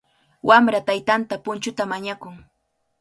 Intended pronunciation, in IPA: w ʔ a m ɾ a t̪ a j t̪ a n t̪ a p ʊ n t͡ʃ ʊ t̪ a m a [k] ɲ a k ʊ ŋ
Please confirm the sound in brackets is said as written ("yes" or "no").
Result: no